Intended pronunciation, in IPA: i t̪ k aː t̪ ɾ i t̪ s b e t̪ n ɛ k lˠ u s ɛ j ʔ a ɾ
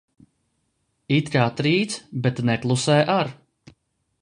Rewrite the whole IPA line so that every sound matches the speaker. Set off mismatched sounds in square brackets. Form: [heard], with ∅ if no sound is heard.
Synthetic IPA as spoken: i t̪ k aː t̪ ɾ [iː] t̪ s b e t̪ n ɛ k lˠ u s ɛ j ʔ a ɾ